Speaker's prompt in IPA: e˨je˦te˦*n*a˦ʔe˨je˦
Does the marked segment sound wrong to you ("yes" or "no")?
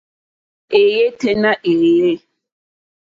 no